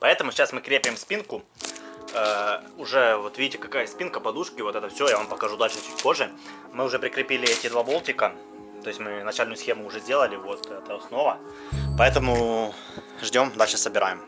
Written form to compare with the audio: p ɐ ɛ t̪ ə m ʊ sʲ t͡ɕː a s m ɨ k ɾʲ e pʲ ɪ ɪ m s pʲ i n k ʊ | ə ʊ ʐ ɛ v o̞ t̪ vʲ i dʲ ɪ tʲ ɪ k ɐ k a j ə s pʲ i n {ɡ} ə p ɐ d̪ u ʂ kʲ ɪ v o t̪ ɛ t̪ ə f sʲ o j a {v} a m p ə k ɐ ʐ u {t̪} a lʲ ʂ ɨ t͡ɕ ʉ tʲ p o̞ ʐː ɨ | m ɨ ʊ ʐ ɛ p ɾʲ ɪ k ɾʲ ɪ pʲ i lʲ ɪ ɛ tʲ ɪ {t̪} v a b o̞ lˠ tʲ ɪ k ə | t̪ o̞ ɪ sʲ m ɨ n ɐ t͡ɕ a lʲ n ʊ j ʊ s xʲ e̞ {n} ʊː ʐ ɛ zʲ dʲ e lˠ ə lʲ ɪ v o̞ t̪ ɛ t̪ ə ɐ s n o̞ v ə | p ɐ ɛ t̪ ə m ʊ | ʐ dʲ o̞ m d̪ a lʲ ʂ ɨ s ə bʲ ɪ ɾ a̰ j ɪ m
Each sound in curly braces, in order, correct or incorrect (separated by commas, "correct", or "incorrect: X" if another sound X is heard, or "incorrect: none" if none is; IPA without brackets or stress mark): incorrect: k, correct, incorrect: d̪, incorrect: d̪, incorrect: m